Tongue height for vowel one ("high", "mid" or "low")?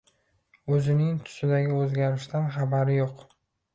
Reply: mid